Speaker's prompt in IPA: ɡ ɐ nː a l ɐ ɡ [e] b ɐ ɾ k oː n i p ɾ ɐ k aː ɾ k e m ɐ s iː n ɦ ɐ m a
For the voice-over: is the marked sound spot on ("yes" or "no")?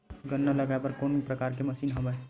no